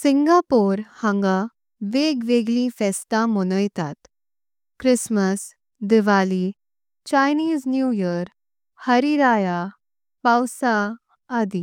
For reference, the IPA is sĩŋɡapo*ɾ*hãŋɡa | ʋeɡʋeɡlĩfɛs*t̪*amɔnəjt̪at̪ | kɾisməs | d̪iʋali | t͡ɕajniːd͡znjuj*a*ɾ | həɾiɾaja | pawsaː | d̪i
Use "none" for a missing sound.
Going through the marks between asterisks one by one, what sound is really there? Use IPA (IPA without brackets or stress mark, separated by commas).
ɾ, t̪, ə